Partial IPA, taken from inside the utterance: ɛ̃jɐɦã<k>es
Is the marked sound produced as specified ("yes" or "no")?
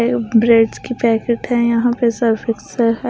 no